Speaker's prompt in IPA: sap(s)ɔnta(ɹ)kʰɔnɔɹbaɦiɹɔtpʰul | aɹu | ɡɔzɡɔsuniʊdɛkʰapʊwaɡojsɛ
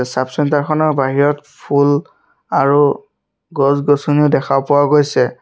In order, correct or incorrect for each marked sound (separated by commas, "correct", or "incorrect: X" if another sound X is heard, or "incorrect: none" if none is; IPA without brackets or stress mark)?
correct, correct